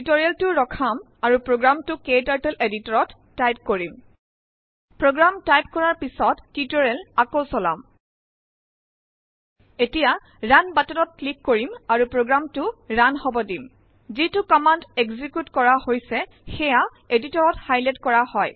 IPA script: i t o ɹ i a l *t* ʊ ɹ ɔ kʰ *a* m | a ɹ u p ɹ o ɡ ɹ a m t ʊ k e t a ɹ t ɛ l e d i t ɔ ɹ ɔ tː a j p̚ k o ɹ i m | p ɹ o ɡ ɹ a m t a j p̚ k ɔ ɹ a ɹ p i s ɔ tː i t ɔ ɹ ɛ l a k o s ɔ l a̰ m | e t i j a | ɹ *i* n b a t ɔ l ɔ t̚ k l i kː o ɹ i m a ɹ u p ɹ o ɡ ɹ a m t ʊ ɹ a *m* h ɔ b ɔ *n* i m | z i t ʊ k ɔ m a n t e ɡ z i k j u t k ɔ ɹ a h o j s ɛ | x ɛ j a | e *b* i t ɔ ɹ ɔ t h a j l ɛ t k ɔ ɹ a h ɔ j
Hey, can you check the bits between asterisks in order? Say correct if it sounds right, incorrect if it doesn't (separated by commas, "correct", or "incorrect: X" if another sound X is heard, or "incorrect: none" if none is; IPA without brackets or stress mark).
correct, correct, incorrect: a, incorrect: n, incorrect: d, incorrect: d